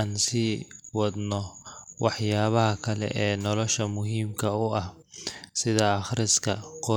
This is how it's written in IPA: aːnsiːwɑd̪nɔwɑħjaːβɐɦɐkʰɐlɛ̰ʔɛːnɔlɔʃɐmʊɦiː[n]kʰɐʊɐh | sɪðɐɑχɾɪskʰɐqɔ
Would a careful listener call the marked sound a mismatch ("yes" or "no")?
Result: yes